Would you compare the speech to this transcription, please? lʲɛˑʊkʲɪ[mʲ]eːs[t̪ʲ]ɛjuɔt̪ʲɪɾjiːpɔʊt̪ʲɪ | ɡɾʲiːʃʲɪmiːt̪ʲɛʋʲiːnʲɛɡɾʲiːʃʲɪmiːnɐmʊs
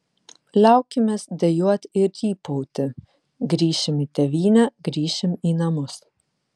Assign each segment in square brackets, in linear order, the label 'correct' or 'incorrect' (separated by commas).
correct, incorrect